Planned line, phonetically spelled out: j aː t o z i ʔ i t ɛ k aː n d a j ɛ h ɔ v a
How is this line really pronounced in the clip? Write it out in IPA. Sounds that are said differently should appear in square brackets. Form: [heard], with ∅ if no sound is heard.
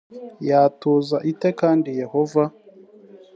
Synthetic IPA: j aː t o z [a] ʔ i t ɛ k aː n d [i] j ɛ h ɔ v a